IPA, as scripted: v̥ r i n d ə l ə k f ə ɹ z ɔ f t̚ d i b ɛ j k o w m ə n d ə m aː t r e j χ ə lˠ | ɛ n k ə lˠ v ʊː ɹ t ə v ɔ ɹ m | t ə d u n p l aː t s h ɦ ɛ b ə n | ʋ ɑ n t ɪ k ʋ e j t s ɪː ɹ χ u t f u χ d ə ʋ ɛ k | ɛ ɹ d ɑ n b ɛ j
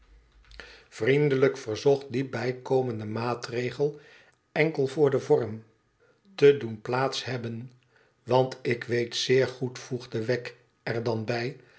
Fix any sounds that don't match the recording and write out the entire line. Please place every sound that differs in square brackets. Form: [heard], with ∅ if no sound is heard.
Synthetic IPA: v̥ r i n d ə l ə k f ə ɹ z ɔ [χ] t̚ d i b ɛ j k o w m ə n d ə m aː t r e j χ ə lˠ | ɛ [ŋ] k ə lˠ v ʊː ɹ [d] ə v ɔ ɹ m | t ə d u n p l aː t s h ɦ ɛ b ə n | ʋ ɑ n t ɪ k ʋ e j t s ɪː ɹ χ u t f u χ d ə ʋ ɛ k | ɛ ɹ d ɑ n b ɛ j